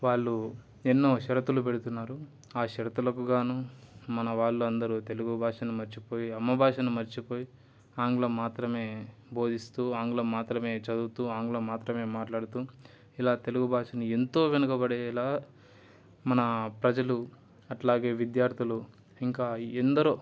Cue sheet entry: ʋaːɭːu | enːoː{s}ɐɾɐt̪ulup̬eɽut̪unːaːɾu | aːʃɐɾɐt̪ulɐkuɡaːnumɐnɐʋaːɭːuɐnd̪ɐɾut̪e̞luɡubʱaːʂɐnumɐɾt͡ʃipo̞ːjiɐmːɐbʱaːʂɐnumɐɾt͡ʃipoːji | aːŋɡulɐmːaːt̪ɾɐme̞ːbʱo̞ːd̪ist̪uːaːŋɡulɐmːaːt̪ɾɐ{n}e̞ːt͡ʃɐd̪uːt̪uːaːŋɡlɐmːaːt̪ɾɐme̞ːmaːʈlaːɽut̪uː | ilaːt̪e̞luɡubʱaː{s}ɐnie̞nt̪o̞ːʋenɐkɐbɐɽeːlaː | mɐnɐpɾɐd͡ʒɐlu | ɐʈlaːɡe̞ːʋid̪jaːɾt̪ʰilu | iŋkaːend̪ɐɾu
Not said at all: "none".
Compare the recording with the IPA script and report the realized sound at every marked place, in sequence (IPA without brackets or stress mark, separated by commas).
ʃ, m, ʂ